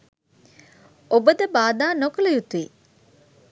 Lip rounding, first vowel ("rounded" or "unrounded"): rounded